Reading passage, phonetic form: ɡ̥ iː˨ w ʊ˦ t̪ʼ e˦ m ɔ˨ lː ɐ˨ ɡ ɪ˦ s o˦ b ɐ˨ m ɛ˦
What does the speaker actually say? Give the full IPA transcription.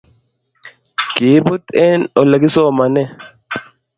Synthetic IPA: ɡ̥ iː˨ b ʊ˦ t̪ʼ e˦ n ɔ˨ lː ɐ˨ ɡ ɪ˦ s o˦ m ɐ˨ n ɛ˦